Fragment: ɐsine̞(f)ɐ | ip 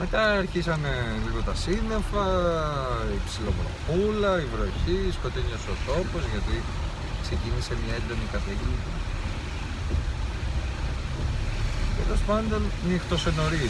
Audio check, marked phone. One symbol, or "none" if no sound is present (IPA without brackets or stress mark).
f